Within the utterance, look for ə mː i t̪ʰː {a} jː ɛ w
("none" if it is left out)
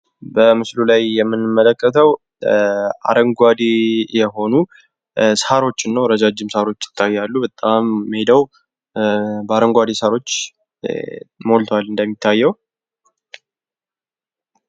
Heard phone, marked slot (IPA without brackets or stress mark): a